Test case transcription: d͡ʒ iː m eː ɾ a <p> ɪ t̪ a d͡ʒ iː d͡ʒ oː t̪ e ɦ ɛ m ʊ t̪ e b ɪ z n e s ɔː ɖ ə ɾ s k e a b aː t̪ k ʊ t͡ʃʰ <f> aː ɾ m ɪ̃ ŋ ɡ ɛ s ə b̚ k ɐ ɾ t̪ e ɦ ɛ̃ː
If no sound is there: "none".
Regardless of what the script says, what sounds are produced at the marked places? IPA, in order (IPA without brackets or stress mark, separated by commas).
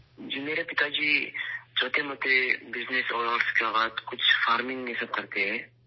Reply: p, f